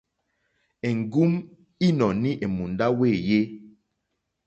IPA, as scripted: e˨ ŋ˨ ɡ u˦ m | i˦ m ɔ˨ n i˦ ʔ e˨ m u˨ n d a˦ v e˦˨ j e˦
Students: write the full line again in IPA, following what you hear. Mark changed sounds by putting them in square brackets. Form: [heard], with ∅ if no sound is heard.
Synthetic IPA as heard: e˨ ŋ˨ ɡ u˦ m | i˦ [n] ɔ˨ n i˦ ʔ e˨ m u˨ n d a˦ [w] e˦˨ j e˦